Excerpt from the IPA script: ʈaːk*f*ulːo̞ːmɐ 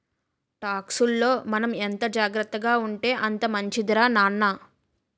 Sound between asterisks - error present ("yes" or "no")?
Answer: yes